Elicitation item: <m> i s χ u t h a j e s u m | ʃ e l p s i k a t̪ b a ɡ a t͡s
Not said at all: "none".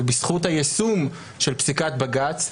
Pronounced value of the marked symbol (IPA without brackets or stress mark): b